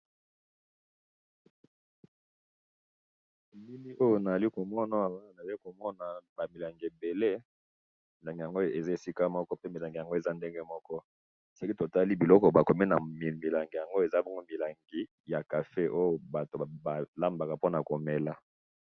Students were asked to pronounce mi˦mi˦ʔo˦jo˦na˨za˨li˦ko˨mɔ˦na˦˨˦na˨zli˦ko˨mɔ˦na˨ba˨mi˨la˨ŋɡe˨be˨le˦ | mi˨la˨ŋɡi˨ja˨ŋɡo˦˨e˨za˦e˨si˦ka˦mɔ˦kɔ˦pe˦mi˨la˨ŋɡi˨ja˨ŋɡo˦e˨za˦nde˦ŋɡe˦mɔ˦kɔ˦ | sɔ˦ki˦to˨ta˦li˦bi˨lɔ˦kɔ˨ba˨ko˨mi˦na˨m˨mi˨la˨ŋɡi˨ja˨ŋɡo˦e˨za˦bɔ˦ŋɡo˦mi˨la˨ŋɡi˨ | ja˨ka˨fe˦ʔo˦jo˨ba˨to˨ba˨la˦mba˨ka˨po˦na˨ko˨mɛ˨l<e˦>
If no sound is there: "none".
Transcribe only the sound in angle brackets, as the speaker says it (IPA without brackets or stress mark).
a˦